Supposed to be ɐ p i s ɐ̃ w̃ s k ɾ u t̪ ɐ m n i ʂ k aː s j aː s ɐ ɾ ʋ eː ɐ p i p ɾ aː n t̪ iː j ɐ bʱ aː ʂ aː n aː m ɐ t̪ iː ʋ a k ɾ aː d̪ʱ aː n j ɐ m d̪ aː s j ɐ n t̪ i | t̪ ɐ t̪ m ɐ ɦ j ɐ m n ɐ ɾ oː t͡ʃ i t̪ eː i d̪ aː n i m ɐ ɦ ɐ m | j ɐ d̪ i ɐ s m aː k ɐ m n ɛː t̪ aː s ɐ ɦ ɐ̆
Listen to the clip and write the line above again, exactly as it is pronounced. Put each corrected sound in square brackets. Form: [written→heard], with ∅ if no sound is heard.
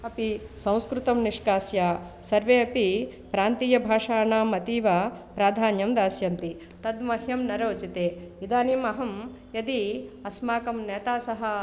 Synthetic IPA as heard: ɐ p i s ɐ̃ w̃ s k ɾ u t̪ ɐ m n i ʂ k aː s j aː s ɐ ɾ ʋ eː ɐ p i p ɾ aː n t̪ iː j ɐ bʱ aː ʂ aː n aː m ɐ t̪ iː ʋ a [k→p] ɾ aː d̪ʱ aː n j ɐ m d̪ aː s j ɐ n t̪ i | t̪ ɐ [t̪→d̪] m ɐ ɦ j ɐ m n ɐ ɾ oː t͡ʃ i t̪ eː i d̪ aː n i m ɐ ɦ ɐ m | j ɐ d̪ i ɐ s m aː k ɐ m n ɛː t̪ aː s ɐ ɦ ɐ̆